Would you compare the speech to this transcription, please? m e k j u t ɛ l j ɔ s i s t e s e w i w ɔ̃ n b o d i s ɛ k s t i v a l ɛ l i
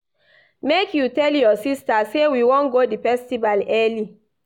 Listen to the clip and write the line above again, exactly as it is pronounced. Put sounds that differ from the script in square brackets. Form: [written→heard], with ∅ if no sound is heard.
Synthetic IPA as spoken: m e k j u t ɛ l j ɔ s i s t [e→a] s e w i w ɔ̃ n [b→ɡ] o d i [s→f] ɛ [k→∅] s t i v a l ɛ l i